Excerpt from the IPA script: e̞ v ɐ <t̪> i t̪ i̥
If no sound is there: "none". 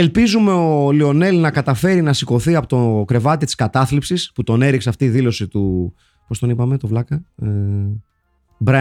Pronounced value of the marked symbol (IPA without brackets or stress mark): t̪